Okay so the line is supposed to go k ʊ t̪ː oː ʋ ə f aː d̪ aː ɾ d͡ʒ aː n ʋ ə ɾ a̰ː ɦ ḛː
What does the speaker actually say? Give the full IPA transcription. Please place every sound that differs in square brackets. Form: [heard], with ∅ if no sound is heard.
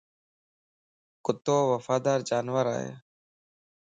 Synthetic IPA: k ʊ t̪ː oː ʋ ə f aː d̪ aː ɾ d͡ʒ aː n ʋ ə ɾ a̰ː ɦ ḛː